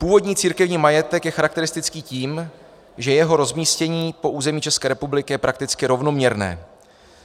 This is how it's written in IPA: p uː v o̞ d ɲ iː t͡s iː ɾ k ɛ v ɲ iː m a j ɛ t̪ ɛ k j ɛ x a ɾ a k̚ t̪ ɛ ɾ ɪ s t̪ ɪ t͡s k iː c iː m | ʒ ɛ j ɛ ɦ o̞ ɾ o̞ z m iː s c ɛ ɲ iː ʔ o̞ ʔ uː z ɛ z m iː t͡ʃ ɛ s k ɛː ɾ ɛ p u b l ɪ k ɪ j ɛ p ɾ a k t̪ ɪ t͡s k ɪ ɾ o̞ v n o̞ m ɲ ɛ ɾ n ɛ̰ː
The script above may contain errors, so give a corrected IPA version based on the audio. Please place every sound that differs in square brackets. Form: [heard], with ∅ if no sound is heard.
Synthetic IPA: p uː v o̞ d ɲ iː t͡s iː ɾ k ɛ v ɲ iː m a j ɛ t̪ ɛ k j ɛ x a ɾ a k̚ t̪ ɛ ɾ ɪ s t̪ ɪ t͡s k iː c iː m | ʒ ɛ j ɛ ɦ o̞ ɾ o̞ z m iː s c ɛ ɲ iː [p] o̞ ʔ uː z ɛ [∅] m iː t͡ʃ ɛ s k ɛː ɾ ɛ p u b l ɪ k ɪ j ɛ p ɾ a k t̪ ɪ t͡s k ɪ ɾ o̞ v n o̞ m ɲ ɛ ɾ n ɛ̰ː